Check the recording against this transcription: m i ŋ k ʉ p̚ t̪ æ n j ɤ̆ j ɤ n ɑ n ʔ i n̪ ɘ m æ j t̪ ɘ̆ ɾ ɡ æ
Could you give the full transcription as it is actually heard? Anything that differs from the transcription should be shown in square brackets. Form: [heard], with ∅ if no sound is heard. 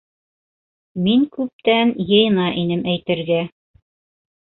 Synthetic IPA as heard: m i ŋ k ʉ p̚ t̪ æ n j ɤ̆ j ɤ n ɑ [∅] ʔ i n̪ ɘ m æ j t̪ ɘ̆ ɾ ɡ æ